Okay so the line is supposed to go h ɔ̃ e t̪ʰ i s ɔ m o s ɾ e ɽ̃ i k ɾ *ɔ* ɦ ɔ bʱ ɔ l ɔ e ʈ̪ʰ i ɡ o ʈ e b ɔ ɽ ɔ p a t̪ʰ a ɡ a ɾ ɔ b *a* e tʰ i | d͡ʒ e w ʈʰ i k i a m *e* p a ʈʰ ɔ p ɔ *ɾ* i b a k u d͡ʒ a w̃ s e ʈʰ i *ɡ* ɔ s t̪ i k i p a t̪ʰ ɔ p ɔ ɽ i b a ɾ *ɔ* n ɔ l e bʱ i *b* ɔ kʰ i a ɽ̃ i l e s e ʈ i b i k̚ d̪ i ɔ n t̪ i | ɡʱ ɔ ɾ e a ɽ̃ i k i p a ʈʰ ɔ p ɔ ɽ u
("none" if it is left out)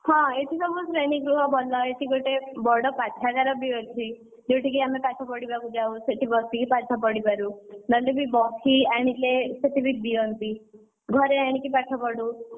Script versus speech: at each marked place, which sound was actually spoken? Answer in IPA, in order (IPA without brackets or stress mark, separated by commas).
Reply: u, i, e, ɽ, b, u, b